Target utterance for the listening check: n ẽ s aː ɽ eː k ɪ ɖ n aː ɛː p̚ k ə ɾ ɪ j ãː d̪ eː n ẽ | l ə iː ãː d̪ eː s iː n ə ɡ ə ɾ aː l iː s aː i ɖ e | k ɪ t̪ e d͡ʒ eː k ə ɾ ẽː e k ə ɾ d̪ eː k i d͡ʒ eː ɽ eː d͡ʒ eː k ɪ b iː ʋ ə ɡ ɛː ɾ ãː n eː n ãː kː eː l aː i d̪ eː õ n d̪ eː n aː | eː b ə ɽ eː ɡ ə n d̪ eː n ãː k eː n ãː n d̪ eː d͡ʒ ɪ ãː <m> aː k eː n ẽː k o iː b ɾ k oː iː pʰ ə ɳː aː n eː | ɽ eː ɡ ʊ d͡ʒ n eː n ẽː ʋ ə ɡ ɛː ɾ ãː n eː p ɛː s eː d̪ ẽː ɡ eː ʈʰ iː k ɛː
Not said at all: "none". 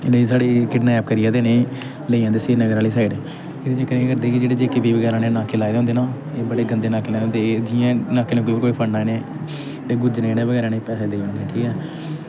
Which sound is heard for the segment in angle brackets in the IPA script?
n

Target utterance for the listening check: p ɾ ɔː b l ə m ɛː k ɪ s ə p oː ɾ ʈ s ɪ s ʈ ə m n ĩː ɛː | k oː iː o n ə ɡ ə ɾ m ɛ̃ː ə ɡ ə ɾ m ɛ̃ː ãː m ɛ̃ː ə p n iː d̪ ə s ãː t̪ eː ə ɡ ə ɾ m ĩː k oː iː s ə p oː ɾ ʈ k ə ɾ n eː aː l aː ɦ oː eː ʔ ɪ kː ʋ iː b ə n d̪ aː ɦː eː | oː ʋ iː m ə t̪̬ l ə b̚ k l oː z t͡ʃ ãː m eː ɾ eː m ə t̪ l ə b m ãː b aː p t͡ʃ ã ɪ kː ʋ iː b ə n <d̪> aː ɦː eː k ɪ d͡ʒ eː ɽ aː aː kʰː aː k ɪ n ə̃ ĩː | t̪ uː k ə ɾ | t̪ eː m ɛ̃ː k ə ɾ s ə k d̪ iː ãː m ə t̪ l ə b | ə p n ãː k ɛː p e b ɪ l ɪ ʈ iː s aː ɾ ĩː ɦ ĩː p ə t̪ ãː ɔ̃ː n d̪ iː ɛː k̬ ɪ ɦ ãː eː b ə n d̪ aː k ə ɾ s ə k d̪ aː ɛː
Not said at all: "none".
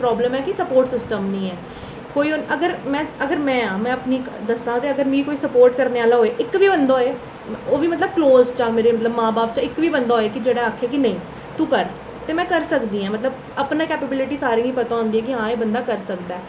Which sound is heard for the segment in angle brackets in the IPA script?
d̪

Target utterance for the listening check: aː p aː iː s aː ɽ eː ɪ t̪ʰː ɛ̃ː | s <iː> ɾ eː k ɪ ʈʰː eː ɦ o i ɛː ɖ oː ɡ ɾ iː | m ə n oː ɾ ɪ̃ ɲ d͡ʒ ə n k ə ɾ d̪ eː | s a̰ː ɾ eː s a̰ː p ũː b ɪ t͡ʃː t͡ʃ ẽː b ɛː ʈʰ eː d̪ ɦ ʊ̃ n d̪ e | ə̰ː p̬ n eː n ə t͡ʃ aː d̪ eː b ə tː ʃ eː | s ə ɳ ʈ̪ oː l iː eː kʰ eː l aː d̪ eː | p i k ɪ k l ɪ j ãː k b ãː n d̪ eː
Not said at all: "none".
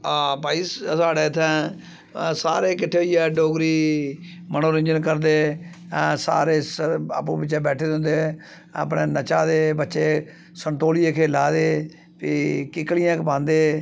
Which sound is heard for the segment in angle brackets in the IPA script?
aː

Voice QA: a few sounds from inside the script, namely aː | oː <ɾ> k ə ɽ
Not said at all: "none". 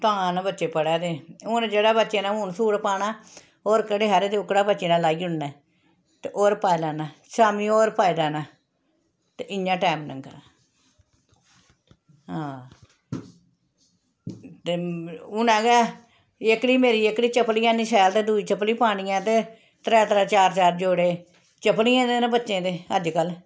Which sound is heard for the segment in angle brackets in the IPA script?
ɾ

